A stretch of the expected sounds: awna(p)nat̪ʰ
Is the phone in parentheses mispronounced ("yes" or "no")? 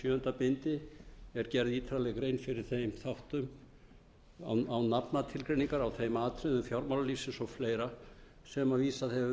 no